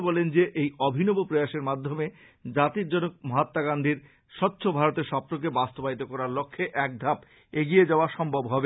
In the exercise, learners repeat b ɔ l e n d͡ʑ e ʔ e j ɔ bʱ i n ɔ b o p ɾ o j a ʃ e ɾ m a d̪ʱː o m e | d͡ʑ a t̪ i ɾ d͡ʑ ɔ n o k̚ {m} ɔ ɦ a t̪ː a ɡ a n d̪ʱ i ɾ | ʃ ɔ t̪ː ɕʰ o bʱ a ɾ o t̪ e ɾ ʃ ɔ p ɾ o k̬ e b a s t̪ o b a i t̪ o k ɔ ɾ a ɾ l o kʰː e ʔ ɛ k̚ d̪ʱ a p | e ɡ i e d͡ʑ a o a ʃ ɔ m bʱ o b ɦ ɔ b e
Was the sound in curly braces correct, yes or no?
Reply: yes